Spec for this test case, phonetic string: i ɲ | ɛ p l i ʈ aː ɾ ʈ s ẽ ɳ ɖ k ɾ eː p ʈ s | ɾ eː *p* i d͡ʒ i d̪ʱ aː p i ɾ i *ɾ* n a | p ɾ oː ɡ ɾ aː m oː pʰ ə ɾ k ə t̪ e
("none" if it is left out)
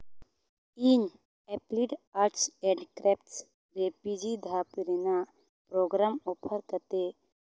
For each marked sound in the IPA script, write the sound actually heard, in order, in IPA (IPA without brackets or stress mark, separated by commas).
p, none